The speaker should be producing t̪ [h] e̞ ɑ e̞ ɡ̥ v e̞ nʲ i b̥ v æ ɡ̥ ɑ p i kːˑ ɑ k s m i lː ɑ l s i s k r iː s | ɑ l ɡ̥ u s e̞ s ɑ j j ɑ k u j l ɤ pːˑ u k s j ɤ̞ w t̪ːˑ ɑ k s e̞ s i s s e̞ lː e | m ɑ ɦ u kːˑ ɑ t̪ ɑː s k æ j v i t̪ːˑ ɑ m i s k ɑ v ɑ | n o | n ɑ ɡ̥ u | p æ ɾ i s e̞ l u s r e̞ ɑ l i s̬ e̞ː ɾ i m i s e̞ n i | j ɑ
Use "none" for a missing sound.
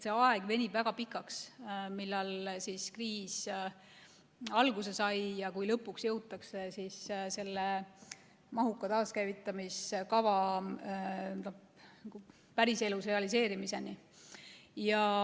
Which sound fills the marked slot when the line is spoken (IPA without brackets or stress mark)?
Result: s